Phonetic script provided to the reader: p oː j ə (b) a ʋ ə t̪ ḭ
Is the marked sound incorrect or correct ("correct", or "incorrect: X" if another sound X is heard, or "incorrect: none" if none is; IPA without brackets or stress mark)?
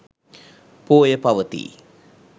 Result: incorrect: p